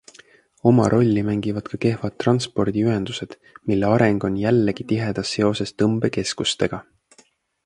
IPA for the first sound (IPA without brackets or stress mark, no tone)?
o̞